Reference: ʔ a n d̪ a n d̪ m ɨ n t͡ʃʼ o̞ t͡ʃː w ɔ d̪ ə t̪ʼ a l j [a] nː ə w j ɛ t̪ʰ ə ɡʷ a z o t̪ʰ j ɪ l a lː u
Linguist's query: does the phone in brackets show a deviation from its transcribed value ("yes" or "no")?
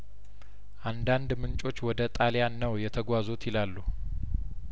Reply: no